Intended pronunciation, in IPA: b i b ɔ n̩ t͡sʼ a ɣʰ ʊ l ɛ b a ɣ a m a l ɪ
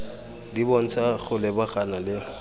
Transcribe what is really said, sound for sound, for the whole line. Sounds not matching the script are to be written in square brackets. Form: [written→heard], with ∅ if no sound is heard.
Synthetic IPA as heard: [b→d] i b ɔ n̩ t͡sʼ a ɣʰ ʊ l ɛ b a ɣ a [m→n] a l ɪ